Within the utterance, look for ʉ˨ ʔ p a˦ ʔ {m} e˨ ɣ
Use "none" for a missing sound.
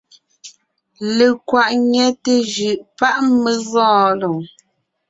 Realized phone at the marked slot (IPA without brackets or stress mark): m